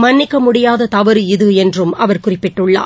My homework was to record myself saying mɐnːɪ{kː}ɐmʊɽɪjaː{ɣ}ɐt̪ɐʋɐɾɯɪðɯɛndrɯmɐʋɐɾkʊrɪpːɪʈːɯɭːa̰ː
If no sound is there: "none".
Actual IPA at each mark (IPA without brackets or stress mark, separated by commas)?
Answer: kː, ð